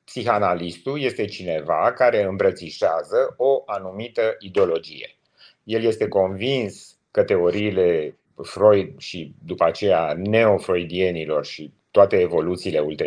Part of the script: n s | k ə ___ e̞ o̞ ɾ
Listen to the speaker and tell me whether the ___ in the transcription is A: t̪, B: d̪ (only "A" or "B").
A